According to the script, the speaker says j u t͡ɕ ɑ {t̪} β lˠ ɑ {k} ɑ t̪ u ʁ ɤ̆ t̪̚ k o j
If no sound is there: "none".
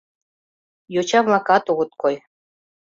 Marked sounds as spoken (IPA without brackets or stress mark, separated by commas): none, k